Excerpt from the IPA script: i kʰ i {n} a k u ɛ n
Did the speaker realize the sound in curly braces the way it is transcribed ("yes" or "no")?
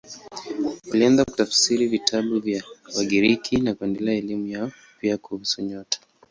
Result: yes